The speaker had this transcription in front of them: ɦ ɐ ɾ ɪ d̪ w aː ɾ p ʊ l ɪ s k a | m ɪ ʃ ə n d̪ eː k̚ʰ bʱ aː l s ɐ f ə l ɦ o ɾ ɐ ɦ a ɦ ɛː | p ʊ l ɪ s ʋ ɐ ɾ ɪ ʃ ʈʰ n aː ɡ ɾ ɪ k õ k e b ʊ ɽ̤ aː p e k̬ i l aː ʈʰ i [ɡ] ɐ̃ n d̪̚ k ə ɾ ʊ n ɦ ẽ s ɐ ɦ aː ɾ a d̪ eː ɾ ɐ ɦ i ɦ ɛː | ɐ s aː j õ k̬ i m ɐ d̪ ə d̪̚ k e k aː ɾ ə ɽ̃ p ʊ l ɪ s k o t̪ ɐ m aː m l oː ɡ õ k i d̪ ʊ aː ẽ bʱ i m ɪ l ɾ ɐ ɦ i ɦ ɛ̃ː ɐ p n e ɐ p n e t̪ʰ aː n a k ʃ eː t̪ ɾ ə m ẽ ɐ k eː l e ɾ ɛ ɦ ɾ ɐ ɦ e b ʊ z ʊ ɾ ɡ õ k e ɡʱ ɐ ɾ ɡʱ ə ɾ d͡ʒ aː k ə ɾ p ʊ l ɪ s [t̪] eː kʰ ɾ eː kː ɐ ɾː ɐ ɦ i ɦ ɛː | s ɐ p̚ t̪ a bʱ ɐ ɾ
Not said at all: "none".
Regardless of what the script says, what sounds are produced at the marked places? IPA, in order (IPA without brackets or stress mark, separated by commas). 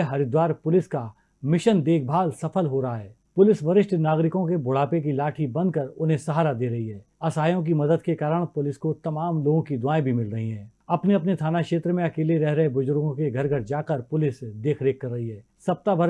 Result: b, d̪